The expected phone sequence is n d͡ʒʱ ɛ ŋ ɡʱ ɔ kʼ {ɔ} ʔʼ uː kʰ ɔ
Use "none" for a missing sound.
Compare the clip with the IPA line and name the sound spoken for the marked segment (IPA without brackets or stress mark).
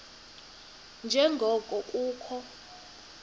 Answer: ɔ